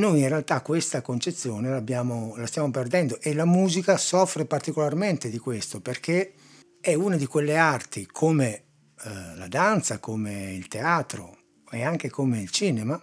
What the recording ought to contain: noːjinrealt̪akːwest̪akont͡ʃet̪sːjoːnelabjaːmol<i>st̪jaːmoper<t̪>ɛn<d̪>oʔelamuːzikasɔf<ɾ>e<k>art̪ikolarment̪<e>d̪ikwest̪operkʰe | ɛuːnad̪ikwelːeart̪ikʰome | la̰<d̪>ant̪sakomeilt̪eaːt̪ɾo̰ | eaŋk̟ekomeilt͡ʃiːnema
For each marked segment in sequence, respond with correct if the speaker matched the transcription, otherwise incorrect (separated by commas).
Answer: incorrect, incorrect, correct, correct, incorrect, correct, correct